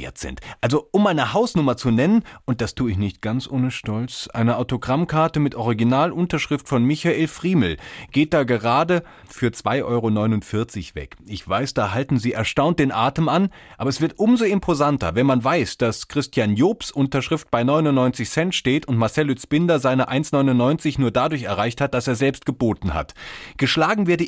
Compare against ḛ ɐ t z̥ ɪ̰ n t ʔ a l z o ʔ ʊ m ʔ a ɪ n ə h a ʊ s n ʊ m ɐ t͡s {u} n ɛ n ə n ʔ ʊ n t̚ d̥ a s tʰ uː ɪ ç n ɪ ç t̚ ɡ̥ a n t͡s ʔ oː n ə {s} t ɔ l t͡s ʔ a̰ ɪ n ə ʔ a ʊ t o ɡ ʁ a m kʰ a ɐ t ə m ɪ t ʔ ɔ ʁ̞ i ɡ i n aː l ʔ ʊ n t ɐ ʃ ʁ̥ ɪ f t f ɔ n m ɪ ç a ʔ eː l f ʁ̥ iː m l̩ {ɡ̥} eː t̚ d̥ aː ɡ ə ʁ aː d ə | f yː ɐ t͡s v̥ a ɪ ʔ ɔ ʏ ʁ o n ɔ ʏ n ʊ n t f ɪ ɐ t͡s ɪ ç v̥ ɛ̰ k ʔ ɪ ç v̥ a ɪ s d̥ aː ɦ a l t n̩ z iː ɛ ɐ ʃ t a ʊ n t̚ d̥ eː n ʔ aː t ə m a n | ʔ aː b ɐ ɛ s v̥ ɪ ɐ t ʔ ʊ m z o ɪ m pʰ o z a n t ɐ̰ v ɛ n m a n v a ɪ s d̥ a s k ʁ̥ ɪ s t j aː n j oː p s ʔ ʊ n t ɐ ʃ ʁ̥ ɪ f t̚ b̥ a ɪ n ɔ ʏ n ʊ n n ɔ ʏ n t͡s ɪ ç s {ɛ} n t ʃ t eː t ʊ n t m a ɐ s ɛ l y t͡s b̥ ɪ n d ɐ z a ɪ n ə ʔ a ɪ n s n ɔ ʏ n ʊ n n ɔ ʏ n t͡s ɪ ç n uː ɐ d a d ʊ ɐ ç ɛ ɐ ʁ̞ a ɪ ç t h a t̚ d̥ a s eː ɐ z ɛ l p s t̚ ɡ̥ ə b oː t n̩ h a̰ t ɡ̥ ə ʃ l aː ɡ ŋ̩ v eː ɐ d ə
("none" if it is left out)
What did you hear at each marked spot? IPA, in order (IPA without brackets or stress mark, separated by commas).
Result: u, ʃ, ɡ̥, ɛ